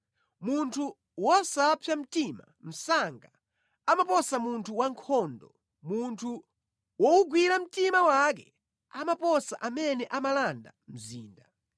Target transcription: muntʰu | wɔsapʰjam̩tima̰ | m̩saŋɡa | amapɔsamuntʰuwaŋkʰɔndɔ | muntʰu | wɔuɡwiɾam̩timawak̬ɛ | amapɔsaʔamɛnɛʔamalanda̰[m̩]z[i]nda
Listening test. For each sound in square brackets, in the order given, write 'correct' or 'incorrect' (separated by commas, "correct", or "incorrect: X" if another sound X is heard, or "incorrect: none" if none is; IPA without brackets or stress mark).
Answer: correct, incorrect: iː